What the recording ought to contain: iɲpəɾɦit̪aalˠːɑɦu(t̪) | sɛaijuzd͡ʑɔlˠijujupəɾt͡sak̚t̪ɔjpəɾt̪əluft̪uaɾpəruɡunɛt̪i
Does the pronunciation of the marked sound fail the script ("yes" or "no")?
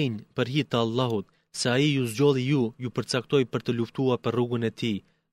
no